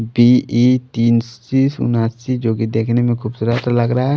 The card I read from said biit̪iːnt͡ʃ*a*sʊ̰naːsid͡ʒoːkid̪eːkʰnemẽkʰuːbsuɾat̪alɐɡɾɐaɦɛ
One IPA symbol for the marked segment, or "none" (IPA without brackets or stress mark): i